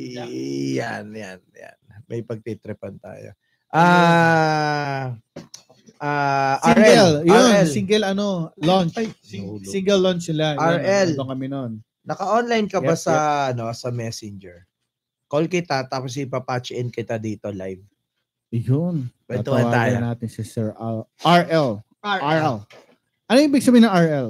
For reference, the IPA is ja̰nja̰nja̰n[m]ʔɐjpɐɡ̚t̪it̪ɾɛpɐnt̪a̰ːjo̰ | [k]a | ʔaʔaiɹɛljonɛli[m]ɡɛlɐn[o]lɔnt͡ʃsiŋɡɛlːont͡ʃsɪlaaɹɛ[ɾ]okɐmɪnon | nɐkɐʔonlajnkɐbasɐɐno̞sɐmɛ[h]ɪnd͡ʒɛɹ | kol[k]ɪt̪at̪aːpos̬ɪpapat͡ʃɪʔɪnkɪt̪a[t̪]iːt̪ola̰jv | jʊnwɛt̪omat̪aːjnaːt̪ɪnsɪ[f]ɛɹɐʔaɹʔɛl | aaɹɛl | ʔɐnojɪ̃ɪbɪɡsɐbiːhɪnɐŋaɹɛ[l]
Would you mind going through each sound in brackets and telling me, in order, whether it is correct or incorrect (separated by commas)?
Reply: correct, incorrect, incorrect, correct, incorrect, incorrect, correct, incorrect, incorrect, correct